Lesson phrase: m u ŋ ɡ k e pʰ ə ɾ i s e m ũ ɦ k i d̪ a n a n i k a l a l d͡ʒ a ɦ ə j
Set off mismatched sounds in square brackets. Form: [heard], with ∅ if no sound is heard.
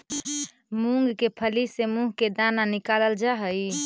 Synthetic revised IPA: m u ŋ ɡ k e pʰ ə [l] i s e m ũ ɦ k [e] d̪ a n a n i k a l [ə] l d͡ʒ a ɦ ə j